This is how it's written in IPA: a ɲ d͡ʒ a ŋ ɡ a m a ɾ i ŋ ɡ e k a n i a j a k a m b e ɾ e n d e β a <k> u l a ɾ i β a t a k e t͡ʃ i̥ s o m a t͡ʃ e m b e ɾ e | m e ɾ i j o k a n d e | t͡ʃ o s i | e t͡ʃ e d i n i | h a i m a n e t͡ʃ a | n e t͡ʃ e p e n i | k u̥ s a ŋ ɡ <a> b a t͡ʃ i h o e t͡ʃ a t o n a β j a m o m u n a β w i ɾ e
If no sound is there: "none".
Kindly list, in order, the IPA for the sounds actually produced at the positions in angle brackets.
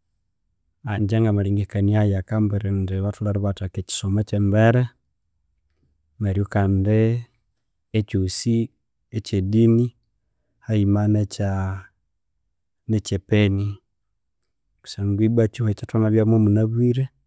t, i

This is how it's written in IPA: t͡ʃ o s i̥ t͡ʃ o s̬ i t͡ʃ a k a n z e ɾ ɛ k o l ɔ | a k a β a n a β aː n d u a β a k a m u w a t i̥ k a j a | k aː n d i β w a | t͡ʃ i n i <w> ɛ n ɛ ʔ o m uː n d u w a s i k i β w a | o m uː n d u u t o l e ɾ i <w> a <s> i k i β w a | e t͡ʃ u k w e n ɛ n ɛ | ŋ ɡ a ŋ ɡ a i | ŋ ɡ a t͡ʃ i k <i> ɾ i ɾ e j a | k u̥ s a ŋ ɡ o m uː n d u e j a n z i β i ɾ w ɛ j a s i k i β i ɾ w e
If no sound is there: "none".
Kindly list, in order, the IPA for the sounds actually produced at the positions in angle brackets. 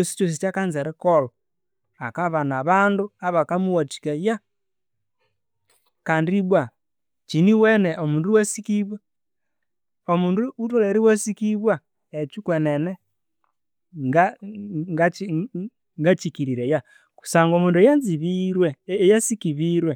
w, w, s, i

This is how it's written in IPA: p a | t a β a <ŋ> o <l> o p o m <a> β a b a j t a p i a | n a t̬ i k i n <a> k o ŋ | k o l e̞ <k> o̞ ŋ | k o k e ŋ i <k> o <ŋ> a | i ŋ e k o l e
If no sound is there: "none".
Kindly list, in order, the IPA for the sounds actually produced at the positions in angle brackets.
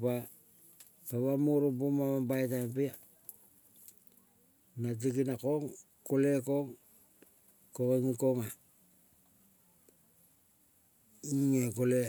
m, ɾ, a, a, k, k, ŋ

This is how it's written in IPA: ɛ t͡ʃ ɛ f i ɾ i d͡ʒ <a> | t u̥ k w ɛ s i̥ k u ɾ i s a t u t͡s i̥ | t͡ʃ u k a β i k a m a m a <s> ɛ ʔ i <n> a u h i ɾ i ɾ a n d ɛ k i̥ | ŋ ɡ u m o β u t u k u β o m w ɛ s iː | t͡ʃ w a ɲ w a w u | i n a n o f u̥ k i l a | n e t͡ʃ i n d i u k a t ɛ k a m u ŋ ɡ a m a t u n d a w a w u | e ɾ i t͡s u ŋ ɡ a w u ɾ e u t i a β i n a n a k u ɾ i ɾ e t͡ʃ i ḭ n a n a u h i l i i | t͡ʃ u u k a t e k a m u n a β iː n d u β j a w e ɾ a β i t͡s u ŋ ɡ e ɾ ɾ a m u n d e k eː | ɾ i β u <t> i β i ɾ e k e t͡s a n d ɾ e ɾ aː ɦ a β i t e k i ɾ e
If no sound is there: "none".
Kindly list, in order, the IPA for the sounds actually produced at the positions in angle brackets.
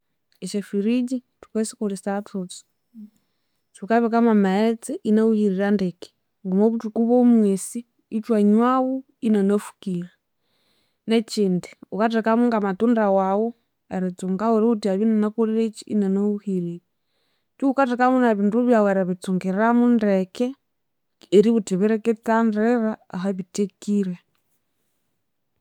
i, t͡s, n, t

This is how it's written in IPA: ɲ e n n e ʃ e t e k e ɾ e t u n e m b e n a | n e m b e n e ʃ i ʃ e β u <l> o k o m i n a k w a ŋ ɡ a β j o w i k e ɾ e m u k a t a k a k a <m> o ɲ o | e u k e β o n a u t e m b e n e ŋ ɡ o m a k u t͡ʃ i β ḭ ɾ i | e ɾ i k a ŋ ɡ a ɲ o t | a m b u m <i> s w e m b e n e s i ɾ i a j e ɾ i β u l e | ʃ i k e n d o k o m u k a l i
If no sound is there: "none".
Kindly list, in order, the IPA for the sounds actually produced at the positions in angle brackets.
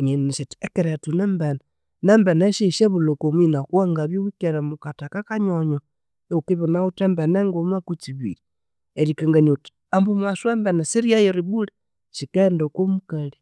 l, ɲ, a

